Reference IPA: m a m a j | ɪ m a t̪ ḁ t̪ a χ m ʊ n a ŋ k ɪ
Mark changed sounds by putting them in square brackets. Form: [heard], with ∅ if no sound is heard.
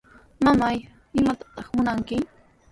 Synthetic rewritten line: m a m a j | ɪ m a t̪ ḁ t̪ [ɑ] χ m ʊ n a ŋ k ɪ